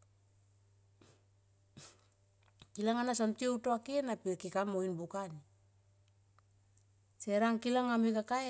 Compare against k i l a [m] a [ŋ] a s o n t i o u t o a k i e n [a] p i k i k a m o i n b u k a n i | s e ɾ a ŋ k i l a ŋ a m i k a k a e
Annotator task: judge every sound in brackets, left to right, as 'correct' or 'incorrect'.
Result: incorrect, incorrect, correct

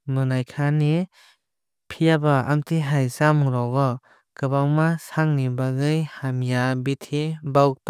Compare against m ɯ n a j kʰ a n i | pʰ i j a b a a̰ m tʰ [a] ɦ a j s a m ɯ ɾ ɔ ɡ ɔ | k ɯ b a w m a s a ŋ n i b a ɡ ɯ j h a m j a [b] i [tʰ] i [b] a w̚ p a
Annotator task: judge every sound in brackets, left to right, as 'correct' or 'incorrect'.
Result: incorrect, correct, correct, correct

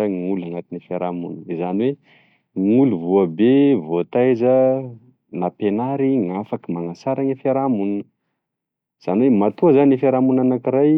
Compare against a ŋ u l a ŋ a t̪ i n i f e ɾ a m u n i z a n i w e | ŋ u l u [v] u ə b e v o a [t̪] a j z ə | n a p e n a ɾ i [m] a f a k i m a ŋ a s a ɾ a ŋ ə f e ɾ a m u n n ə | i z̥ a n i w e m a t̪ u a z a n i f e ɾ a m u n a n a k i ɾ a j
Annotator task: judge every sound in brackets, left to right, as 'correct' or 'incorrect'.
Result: correct, correct, incorrect

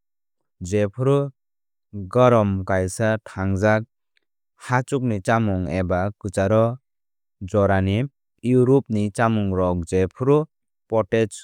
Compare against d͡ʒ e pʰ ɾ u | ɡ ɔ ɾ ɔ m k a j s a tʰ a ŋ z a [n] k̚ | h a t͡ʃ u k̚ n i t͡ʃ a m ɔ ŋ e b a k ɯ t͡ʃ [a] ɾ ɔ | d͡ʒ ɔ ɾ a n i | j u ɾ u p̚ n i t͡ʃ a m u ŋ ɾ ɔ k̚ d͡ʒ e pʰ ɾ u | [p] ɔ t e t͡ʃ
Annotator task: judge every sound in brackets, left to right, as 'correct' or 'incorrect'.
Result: incorrect, correct, correct

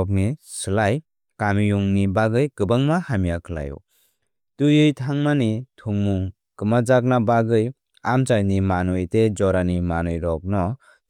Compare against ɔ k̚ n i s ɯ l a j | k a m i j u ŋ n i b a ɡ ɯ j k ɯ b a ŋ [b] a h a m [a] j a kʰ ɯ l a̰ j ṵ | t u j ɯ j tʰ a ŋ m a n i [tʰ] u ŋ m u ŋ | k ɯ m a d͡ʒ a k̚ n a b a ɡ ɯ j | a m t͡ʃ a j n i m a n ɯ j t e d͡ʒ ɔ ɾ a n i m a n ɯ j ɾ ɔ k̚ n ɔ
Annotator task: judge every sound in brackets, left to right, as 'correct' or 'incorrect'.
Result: incorrect, incorrect, correct

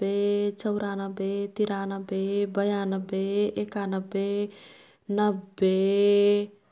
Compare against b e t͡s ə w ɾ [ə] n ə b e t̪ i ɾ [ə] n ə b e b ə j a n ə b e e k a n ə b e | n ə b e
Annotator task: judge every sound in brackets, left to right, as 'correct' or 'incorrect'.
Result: incorrect, incorrect

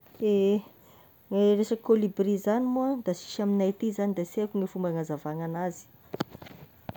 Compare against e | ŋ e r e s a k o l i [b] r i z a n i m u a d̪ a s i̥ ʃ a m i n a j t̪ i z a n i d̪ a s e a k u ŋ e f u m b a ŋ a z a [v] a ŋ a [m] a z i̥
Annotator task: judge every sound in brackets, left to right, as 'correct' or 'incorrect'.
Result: correct, correct, incorrect

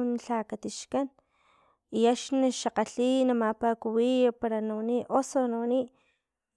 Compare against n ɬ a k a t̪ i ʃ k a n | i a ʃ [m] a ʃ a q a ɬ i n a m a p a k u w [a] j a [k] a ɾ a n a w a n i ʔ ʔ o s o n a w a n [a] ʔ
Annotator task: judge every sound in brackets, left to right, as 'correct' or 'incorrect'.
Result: incorrect, incorrect, incorrect, incorrect

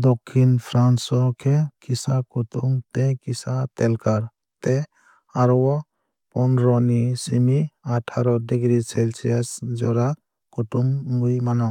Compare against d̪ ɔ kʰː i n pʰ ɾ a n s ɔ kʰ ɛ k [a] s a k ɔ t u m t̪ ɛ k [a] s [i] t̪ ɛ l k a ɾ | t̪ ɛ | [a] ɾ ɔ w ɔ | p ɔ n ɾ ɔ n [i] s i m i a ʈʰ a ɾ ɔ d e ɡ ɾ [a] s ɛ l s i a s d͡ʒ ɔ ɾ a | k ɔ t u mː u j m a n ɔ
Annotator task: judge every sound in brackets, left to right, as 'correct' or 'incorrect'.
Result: incorrect, incorrect, incorrect, correct, correct, incorrect

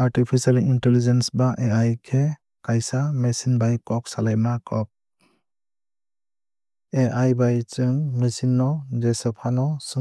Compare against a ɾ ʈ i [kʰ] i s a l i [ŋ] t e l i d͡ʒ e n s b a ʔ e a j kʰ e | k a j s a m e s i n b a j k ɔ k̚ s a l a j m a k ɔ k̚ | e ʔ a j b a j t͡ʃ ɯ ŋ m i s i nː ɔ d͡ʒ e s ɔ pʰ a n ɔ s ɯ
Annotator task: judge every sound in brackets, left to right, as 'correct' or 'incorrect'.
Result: incorrect, incorrect

